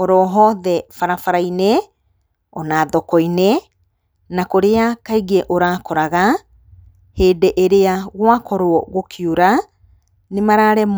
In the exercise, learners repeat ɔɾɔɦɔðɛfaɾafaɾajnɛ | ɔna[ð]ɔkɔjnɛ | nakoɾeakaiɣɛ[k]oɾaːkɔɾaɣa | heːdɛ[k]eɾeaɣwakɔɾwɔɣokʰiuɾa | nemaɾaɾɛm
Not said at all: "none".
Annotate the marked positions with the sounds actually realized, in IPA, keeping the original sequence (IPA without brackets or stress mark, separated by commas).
ð, ʔ, ʔ